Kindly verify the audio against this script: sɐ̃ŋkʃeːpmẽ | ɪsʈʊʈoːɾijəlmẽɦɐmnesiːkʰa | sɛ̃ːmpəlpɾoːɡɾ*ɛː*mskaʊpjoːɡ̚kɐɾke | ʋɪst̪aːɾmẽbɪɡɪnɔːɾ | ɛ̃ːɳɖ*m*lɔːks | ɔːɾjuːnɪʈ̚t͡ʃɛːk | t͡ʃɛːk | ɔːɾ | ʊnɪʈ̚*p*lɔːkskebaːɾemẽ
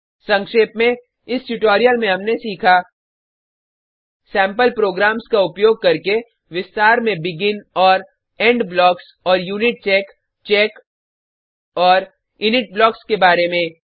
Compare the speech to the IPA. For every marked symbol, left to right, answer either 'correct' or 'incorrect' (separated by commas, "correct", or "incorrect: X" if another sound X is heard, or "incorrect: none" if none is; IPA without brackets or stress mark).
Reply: incorrect: aː, incorrect: b, incorrect: b